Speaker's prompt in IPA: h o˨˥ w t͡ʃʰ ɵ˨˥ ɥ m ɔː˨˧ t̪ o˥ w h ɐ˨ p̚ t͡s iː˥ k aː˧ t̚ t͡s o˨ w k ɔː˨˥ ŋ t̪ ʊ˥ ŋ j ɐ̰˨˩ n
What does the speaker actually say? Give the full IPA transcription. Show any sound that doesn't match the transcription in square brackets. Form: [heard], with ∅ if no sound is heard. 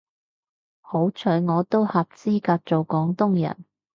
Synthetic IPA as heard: h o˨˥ w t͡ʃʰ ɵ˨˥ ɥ [ŋ] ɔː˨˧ t̪ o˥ w h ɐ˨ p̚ t͡s iː˥ k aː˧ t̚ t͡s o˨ w k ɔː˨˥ ŋ t̪ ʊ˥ ŋ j ɐ̰˨˩ n